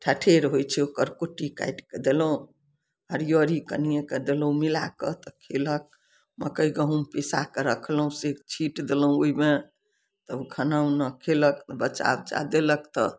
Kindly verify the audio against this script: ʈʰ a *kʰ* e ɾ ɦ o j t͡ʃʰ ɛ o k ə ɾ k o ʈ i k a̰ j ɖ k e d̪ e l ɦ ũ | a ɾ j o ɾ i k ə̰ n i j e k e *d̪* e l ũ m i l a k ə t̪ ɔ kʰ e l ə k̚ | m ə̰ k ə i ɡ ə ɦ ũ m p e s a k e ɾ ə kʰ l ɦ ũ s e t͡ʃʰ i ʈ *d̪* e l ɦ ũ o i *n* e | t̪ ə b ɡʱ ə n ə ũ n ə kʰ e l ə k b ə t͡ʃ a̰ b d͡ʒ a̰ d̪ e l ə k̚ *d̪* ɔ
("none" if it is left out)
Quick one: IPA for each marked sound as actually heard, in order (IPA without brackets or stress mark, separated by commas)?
ʈʰ, d̪, d̪, m, t̪